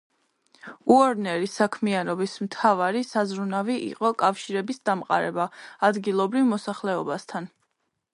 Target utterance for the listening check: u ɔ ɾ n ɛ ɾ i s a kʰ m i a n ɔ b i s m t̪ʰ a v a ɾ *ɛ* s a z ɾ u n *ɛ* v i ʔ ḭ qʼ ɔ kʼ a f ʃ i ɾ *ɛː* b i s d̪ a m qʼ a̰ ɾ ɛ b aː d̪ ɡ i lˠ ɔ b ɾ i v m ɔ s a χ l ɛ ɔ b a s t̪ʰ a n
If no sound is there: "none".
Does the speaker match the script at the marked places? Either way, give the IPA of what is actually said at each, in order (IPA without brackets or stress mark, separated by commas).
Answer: i, a, ɛ